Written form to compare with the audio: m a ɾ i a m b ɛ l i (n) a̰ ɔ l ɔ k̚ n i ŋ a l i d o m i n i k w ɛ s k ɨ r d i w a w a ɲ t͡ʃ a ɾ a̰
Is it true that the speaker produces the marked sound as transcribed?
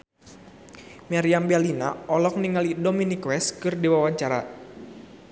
yes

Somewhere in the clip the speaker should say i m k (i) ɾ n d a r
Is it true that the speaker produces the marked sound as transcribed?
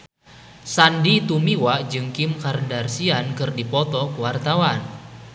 no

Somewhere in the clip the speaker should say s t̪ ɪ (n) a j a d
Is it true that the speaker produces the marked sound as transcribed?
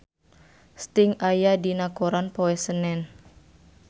no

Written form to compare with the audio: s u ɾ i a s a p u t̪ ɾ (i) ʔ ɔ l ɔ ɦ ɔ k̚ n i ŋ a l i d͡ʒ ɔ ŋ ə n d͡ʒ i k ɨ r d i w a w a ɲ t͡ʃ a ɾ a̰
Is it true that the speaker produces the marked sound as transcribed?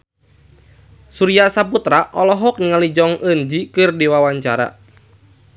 no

